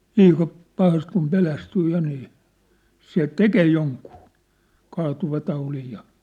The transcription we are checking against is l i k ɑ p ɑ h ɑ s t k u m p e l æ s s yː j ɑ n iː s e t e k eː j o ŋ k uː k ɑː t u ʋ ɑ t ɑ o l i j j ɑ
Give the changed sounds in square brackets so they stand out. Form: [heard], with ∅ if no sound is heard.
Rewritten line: l [iː] k ɑ p ɑ h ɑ s t k u m p e l æ s [t] yː j ɑ n iː s e t e k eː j o ŋ k uː k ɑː t u ʋ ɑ t ɑ [u] l i j j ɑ